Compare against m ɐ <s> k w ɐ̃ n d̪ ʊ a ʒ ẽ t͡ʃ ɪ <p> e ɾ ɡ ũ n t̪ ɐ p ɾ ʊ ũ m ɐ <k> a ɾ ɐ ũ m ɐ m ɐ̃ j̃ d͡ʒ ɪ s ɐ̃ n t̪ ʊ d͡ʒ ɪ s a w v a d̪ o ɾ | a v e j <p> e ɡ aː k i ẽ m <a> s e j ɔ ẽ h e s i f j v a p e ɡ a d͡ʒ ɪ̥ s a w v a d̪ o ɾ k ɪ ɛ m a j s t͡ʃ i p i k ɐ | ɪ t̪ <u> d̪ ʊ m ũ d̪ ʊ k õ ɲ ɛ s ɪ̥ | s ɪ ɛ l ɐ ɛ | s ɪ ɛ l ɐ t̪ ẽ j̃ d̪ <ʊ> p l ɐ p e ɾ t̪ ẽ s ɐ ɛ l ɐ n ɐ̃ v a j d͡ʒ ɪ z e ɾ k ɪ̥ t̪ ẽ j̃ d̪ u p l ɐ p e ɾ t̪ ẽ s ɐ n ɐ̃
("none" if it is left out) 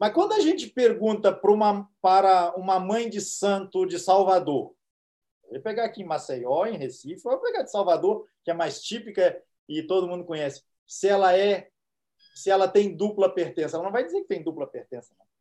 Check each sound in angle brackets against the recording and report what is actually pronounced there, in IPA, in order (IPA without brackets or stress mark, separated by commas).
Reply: s, p, p, p, a, o, u